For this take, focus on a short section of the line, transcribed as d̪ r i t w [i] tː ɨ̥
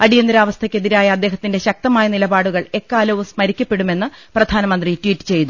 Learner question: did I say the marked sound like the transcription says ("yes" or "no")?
no